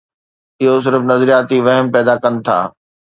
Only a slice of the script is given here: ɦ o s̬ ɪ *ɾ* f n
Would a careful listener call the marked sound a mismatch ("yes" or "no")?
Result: no